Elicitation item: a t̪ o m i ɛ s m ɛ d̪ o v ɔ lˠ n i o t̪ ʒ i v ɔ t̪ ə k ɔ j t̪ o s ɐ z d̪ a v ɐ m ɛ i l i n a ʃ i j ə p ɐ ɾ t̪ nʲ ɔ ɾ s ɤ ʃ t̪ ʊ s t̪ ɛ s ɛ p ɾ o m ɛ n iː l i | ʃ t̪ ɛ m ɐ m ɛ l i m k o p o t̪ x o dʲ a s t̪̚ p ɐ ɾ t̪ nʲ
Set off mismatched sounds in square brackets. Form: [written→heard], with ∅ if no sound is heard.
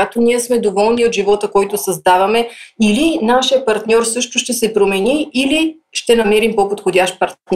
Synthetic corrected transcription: a t̪ o [m→n] i ɛ s m ɛ d̪ o v ɔ lˠ n i o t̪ ʒ i v ɔ t̪ ə k ɔ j t̪ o s ɐ z d̪ a v ɐ m ɛ i l i n a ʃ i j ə p ɐ ɾ t̪ nʲ ɔ ɾ s ɤ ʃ t̪ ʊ [s→ʃ] t̪ ɛ s ɛ p ɾ o m ɛ n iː l i | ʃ t̪ ɛ [m→n] ɐ m ɛ [l→ɾ] i m [k→p] o p o t̪ x o dʲ a [s→ʃ] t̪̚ p ɐ ɾ t̪ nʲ